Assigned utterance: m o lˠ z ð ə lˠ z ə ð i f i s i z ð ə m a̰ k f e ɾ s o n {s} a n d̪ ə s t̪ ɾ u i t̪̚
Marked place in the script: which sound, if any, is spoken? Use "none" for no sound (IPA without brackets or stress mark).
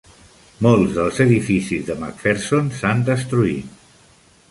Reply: s